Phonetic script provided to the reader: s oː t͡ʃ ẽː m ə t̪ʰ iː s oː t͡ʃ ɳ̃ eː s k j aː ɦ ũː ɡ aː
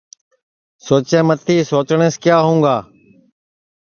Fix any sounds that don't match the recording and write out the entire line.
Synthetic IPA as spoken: s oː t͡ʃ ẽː m ə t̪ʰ iː s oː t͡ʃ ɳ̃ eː s k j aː ɦ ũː ɡ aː